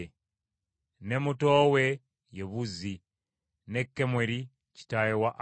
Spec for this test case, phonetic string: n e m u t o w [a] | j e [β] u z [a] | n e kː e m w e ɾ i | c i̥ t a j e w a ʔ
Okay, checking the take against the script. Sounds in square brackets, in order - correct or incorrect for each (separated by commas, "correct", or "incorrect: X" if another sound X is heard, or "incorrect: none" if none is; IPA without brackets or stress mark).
incorrect: e, correct, incorrect: i